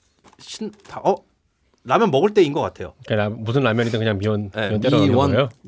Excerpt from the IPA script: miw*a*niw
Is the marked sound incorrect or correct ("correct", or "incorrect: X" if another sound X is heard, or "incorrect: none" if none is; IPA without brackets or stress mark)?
incorrect: ʌ